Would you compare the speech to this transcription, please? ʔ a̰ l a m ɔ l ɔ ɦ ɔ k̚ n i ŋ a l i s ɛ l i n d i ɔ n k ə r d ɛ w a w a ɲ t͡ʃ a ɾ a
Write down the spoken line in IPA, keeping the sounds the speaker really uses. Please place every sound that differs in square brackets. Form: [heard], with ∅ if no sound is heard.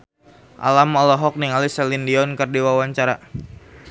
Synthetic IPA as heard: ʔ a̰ l a m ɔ l ɔ ɦ ɔ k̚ n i ŋ a l i s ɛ l i n d i ɔ n k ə r d [i] w a w a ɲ t͡ʃ a ɾ a